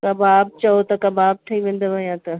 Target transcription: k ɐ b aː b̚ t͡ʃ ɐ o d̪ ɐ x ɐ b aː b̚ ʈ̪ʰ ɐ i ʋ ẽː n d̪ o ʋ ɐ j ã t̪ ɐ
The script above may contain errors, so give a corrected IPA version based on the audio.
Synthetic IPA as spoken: k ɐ b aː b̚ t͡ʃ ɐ o t̪ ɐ k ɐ b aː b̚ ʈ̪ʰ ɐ i ʋ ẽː n d̪ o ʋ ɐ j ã t̪ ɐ